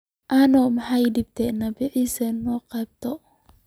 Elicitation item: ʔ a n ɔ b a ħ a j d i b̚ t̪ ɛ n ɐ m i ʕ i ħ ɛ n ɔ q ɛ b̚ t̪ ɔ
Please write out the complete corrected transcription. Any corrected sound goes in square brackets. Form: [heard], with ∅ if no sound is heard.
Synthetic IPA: ʔ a n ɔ [m] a ħ a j d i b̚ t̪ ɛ n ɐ [b] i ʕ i [s] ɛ n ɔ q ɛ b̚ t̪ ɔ